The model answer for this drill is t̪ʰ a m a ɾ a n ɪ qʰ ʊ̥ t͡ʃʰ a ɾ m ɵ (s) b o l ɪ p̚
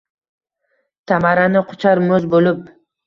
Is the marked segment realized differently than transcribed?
yes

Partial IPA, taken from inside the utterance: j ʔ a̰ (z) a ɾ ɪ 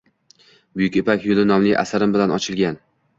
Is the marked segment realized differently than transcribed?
yes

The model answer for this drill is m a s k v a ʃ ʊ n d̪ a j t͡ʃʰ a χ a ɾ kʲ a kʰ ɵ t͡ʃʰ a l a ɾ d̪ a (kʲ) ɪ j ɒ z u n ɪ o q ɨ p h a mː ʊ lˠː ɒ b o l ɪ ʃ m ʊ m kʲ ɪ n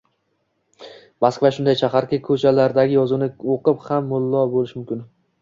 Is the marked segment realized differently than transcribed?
yes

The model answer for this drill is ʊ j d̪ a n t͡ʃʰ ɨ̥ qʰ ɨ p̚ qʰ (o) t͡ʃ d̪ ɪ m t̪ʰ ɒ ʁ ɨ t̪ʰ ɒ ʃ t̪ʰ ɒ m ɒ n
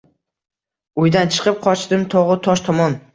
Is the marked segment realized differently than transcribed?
yes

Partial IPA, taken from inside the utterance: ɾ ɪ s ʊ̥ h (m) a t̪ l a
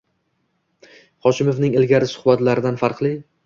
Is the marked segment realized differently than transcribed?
yes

